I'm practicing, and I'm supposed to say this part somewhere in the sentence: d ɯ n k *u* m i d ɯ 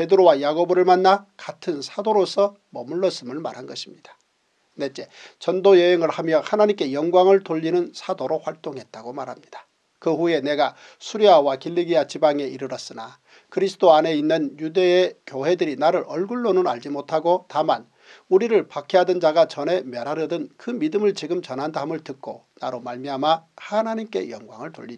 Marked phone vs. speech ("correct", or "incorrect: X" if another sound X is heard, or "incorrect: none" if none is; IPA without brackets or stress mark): incorrect: ɯ